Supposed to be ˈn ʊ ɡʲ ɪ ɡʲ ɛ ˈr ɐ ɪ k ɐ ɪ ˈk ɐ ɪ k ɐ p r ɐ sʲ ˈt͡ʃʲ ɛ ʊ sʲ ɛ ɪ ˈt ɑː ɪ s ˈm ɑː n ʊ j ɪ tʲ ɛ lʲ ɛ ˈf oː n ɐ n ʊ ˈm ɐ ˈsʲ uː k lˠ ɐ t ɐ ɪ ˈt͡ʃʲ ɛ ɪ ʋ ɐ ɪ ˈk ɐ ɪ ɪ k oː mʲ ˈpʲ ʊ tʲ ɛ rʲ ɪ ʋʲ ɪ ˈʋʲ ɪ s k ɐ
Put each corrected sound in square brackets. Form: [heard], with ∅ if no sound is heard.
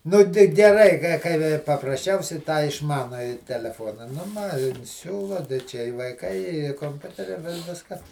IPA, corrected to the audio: ˈn ʊ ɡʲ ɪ ɡʲ ɛ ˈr ɐ ɪ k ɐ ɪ ˈk ɐ ɪ [p] ɐ p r ɐ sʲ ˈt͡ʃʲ ɛ ʊ sʲ ɛ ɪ ˈt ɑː ɪ [ʃ] ˈm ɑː n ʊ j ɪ tʲ ɛ lʲ ɛ ˈf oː n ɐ n ʊ ˈm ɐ ˈsʲ uː [∅] lˠ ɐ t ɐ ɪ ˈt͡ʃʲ ɛ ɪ ʋ ɐ ɪ ˈk ɐ ɪ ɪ k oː mʲ ˈpʲ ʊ tʲ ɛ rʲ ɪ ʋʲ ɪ ˈʋʲ ɪ s k ɐ